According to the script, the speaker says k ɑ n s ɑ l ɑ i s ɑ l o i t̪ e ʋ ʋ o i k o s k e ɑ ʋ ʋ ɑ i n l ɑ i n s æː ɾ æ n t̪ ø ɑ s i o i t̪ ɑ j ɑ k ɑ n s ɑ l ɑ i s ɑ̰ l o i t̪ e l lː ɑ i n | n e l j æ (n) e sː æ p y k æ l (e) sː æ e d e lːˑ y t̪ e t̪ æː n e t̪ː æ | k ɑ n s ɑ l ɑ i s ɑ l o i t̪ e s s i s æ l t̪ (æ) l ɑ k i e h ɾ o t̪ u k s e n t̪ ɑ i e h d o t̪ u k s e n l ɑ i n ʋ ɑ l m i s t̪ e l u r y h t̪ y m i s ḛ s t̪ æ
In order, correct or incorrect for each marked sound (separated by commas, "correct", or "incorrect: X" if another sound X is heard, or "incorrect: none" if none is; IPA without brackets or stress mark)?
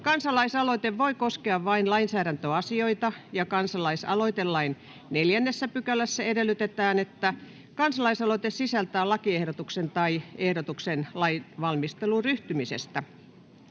incorrect: nː, incorrect: æ, incorrect: æː